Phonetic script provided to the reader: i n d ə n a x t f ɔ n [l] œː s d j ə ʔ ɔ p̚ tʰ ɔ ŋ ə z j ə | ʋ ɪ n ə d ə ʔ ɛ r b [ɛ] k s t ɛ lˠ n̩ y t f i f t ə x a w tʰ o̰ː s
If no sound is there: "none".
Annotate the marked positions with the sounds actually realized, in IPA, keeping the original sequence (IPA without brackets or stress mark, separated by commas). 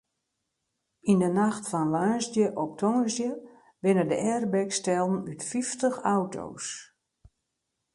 l, ɛ